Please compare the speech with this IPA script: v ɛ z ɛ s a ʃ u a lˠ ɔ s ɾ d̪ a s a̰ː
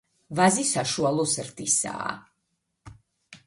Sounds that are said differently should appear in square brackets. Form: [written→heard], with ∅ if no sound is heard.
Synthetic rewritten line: v [ɛ→a] z [ɛ→i] s a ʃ u a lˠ ɔ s ɾ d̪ [a→i] s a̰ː